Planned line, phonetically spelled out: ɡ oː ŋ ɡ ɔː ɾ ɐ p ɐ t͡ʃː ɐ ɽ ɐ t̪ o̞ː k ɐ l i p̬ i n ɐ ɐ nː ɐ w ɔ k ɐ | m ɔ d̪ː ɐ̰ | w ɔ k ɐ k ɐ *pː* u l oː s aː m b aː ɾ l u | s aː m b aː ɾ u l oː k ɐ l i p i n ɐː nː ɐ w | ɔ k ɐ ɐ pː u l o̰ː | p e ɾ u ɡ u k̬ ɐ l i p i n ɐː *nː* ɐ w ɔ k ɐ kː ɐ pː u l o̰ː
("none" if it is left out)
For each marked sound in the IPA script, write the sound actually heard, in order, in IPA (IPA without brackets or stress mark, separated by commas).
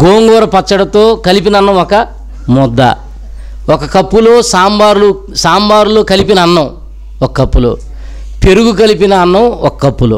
pː, nː